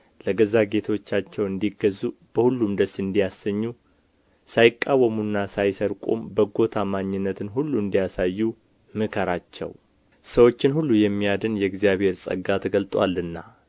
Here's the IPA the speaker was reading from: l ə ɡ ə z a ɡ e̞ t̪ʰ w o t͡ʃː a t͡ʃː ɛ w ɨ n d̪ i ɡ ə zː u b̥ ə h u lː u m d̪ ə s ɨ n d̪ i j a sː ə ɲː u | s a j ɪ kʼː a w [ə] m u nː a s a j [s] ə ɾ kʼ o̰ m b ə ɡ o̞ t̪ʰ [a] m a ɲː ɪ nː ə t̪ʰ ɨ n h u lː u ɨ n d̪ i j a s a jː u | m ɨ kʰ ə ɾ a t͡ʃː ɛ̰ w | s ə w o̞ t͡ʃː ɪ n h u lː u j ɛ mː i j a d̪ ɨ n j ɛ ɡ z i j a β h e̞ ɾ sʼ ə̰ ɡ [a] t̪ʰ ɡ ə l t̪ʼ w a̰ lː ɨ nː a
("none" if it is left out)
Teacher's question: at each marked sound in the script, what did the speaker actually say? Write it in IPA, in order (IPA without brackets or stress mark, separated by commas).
ə, s, a, a